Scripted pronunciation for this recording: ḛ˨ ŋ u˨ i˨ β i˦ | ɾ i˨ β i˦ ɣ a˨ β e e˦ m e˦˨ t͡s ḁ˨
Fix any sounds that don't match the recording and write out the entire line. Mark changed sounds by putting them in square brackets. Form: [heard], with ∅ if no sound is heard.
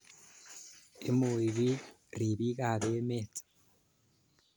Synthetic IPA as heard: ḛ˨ [m] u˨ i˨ β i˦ | ɾ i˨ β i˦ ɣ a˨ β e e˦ m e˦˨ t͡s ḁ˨